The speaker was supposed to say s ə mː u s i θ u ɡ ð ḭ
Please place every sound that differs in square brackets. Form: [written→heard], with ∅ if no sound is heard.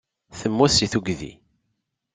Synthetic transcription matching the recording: [s→θ] ə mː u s i θ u ɡ ð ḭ